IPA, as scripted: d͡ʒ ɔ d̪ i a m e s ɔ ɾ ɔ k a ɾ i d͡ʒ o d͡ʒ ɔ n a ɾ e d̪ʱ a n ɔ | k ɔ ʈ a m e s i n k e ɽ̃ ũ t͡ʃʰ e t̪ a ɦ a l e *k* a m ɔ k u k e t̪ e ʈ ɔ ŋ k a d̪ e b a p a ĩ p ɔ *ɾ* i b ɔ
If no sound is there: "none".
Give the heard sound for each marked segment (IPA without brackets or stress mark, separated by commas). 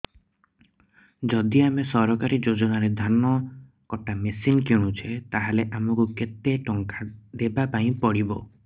ʔ, ɽ